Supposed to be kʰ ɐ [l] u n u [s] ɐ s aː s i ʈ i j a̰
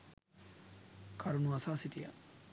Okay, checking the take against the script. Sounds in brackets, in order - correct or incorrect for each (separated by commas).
incorrect, incorrect